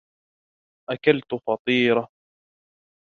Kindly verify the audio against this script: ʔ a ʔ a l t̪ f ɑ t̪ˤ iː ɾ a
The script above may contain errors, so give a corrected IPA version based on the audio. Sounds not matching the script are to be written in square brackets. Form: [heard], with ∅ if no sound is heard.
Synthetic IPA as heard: ʔ a [k] a l t̪ f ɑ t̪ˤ iː ɾ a